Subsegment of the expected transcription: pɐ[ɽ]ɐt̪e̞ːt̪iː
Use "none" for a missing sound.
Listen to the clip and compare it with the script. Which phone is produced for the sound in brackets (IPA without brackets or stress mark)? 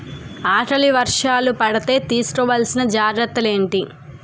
ɽ